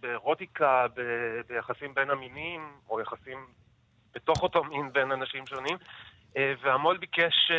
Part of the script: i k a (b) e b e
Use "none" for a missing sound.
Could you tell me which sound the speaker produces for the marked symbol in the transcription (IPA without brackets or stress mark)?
b